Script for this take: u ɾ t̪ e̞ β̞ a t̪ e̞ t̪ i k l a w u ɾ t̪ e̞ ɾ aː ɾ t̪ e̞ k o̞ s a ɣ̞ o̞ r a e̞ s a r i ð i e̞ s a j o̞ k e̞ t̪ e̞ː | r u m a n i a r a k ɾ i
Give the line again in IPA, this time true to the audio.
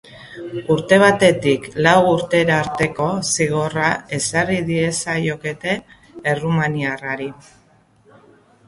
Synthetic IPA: u ɾ t̪ e̞ β̞ a t̪ e̞ t̪ i k l a w u ɾ t̪ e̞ ɾ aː ɾ t̪ e̞ k o̞ s i ɣ̞ o̞ r a e̞ s a r i ð i e̞ s a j o̞ k e̞ t̪ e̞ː | r u m a n i a r a ɾ i